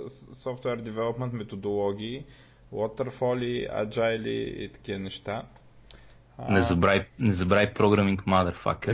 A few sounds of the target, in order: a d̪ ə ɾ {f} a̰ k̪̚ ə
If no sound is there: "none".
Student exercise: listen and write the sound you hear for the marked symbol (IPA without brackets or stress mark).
f